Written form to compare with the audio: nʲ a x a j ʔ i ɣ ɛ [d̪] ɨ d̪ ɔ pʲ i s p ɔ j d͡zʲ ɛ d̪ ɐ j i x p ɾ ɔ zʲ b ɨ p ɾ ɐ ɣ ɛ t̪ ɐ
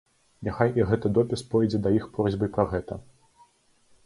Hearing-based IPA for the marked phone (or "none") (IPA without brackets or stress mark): t̪